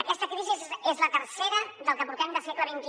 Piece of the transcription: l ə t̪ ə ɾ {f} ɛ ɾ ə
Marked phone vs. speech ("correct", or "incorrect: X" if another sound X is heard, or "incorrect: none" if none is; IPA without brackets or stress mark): incorrect: s